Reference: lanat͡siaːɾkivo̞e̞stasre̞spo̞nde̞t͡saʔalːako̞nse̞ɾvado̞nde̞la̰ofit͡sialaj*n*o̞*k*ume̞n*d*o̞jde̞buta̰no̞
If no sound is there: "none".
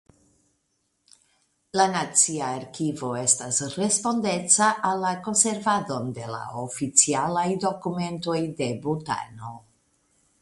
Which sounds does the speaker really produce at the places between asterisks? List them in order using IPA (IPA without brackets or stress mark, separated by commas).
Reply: d, k, t